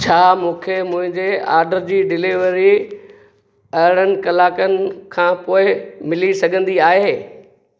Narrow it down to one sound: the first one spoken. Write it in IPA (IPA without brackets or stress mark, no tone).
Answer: t͡ɕʰ